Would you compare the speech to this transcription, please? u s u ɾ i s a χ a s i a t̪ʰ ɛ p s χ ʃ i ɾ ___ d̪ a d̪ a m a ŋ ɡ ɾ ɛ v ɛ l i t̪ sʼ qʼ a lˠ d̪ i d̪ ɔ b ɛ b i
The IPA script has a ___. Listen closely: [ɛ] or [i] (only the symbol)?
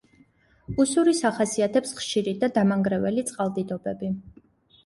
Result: i